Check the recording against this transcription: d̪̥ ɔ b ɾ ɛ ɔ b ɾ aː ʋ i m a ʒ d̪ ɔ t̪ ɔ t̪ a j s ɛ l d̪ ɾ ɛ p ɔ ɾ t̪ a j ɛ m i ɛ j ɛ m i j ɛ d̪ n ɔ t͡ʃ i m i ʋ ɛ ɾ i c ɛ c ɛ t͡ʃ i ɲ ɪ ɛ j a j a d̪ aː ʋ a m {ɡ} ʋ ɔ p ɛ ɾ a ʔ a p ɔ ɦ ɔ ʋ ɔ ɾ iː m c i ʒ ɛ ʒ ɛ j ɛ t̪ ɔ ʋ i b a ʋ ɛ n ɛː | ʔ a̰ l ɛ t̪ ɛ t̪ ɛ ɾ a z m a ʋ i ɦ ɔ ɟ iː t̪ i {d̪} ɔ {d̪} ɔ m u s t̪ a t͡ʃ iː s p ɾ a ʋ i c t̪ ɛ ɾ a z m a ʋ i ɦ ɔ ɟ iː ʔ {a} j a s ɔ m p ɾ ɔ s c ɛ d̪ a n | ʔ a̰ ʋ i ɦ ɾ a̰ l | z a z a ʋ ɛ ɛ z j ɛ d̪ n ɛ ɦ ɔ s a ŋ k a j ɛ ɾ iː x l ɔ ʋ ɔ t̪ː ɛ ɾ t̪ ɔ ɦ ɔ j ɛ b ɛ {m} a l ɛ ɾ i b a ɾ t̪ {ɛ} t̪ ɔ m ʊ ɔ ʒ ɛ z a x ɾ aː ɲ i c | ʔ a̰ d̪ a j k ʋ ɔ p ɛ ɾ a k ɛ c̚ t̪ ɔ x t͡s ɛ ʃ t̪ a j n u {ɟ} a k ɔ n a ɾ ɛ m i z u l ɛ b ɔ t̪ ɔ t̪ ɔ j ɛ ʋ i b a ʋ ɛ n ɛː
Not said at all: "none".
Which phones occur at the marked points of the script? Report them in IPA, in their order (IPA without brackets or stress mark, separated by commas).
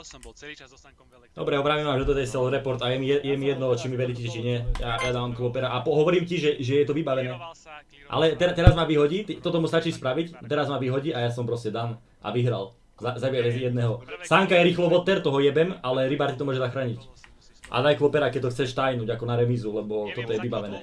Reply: k, t̪, t̪, a, m, i, ɟ